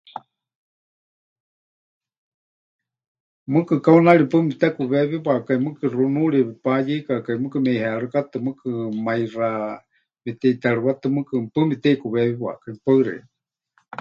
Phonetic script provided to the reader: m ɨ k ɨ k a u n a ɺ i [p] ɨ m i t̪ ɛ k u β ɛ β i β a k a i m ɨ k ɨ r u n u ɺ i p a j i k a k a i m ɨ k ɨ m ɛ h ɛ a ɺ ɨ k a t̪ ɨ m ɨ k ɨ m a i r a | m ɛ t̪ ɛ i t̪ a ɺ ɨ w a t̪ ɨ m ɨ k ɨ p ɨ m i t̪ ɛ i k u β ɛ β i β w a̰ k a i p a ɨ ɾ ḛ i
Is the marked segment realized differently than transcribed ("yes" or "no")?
no